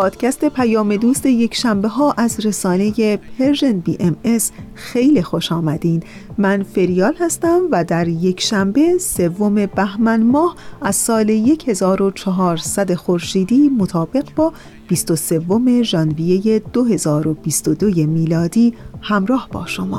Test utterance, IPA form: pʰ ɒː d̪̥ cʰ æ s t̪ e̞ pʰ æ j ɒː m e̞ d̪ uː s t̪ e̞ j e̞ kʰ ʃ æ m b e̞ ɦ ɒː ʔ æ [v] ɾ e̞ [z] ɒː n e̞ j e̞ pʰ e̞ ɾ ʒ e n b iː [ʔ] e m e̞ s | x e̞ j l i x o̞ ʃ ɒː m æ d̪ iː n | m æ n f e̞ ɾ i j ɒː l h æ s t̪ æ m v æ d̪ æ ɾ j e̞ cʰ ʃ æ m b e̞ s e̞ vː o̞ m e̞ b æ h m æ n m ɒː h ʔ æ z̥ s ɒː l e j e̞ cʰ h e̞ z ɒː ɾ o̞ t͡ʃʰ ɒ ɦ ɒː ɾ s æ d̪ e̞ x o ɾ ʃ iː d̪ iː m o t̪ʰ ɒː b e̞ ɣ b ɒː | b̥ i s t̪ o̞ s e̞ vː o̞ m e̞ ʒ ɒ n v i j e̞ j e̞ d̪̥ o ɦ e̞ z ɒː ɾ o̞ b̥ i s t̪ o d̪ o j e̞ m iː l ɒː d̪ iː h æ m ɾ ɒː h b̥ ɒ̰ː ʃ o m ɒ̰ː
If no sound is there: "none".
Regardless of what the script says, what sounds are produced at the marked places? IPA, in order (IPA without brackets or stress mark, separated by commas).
z, s, ʔ